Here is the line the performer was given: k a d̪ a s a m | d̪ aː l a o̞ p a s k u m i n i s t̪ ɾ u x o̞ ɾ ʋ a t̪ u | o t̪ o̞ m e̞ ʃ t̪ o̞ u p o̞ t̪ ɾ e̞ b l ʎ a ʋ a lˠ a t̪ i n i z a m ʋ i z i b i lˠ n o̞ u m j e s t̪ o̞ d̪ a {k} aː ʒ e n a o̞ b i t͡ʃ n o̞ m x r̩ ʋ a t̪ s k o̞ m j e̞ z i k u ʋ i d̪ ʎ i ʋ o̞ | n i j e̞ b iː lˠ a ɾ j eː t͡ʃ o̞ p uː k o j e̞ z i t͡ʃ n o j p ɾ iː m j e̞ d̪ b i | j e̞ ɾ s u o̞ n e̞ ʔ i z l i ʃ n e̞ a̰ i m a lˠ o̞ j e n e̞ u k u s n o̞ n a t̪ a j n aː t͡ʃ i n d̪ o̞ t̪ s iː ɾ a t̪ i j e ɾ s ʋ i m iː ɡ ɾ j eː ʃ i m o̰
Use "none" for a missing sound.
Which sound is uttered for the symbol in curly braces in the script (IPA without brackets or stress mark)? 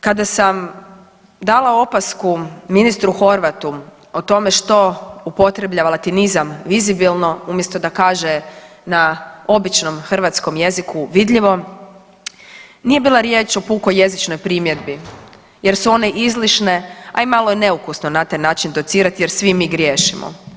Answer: k